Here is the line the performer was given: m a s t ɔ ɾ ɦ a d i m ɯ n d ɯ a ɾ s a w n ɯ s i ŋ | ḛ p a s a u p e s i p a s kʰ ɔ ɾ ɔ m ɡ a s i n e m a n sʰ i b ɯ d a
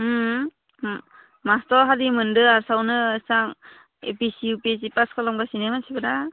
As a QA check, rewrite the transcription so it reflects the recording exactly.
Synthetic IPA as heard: m a s t ɔ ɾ ɦ a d i m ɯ n d ɯ a ɾ s a w n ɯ s a ŋ | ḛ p i s i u p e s i p a s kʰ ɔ l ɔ m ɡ a s i n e m a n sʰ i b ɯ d a